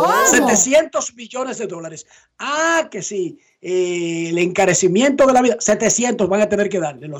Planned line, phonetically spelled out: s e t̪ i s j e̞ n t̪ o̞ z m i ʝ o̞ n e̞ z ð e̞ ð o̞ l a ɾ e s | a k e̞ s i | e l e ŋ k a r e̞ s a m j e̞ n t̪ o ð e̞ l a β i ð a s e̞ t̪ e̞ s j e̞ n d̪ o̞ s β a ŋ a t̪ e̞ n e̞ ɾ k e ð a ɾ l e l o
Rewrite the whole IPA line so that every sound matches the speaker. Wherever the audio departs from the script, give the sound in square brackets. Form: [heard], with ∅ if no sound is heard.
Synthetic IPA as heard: s e t̪ [e] s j e̞ n t̪ o̞ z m i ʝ o̞ n e̞ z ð e̞ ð o̞ l a ɾ e s | a k e̞ s i | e l e ŋ k a [ɾ] e̞ s [i] m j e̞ n t̪ o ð e̞ l a β i ð a s e̞ t̪ e̞ s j e̞ n [t̪] o̞ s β a ŋ a t̪ e̞ n e̞ ɾ k e ð a ɾ l e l o